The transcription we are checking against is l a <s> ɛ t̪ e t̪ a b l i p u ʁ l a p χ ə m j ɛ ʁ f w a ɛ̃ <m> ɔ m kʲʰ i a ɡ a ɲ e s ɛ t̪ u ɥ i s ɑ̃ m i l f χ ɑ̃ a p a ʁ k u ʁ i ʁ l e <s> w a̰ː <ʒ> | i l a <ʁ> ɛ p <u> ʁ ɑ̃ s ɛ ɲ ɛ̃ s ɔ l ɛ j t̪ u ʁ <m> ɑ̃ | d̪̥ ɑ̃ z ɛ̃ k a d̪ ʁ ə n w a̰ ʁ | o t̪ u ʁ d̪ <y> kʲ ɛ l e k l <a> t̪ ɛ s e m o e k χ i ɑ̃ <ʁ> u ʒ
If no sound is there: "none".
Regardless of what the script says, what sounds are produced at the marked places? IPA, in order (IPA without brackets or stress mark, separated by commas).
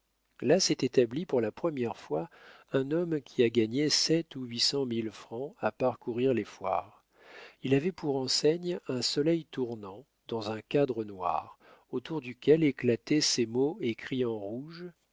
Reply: s, n, f, ʁ, v, u, n, y, a, ʁ